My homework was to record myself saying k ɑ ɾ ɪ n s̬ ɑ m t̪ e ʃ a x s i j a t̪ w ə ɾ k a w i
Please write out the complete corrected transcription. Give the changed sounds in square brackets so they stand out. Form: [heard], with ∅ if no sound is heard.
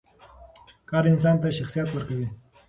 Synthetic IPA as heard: k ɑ ɾ ɪ n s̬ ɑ [n] t̪ [a] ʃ a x s i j a t̪ w ə ɾ k a w i